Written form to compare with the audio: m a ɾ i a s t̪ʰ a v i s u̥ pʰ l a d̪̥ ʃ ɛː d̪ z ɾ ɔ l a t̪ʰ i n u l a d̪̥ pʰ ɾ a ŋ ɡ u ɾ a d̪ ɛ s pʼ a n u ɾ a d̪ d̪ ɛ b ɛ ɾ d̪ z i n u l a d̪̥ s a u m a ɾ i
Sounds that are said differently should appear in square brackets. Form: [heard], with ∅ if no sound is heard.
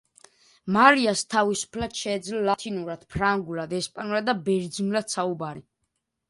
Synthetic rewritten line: m a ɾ i a s t̪ʰ a v i s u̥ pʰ l a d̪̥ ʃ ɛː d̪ z [l] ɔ l a t̪ʰ i n u [ɾ] a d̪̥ pʰ ɾ a ŋ ɡ u [l] a d̪ ɛ s pʼ a n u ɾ a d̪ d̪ [a] b ɛ ɾ d̪ z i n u l a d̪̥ s a u [b] a ɾ i